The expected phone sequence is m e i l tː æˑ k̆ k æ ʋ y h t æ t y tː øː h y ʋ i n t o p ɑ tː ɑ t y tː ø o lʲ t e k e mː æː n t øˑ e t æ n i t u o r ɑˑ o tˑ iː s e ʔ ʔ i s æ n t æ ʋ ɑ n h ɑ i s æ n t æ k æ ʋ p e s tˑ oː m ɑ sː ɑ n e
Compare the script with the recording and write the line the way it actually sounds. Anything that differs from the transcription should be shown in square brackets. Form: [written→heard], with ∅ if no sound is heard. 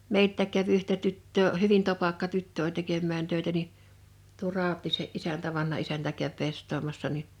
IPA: m e i l tː æˑ k̆ k æ ʋ y h t æ t y tː øː h y ʋ i n t o p ɑ [tː→kː] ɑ t y tː ø o lʲ t e k e mː æː n t øˑ e t æ n i t u o r ɑˑ o tˑ iː s e ʔ ʔ i s æ n t æ ʋ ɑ n h ɑ i s æ n t æ k æ ʋ p e s tˑ oː m ɑ sː ɑ n [e→i]